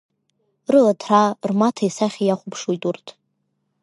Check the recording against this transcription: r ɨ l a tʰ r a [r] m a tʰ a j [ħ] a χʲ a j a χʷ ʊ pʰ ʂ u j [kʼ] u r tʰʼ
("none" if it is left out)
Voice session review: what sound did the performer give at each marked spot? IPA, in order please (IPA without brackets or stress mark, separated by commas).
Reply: r, s, tʼ